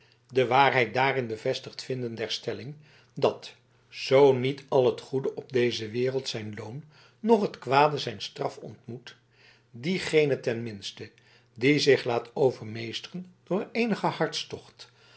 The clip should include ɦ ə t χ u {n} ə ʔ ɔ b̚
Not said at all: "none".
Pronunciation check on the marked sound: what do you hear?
d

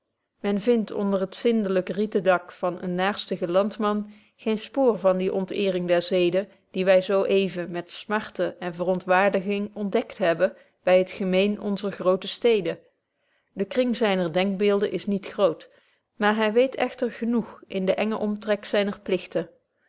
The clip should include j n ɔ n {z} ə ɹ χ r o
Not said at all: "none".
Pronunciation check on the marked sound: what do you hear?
z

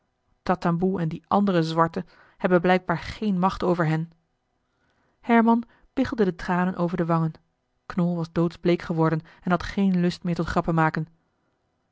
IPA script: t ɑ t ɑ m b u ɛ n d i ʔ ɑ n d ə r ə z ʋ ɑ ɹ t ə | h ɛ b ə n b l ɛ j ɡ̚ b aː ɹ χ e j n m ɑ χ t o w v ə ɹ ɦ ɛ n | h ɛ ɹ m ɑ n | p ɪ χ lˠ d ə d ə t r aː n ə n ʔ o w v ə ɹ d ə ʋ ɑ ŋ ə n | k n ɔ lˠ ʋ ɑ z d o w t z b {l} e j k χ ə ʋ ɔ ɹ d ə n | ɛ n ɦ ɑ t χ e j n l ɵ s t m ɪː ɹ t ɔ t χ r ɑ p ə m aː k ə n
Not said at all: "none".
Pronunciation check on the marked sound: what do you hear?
l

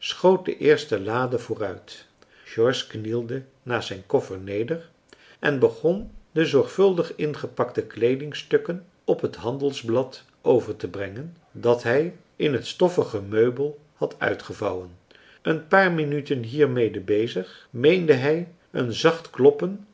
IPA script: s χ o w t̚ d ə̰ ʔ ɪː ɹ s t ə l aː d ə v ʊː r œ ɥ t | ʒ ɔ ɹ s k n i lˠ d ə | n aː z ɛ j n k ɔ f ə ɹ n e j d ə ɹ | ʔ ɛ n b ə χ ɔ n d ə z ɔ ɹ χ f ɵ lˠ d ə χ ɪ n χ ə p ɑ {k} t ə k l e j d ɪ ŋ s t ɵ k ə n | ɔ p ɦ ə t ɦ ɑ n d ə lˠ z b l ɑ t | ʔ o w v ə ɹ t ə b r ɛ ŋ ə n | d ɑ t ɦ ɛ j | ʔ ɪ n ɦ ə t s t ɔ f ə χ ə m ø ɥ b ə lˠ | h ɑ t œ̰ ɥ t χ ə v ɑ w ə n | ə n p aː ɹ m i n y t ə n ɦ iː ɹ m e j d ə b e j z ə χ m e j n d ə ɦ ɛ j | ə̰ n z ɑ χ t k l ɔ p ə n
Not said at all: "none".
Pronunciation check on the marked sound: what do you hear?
k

